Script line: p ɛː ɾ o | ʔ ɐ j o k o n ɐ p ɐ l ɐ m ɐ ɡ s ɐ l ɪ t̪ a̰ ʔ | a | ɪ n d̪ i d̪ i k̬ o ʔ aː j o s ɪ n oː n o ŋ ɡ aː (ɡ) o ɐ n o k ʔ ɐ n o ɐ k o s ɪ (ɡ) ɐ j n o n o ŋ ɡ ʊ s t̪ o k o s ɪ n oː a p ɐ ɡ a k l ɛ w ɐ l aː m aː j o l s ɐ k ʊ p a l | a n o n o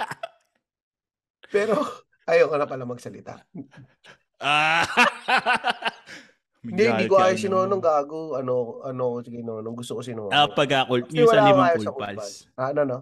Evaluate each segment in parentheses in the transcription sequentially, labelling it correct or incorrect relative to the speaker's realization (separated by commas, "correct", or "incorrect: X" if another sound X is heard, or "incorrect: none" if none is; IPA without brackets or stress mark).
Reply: correct, correct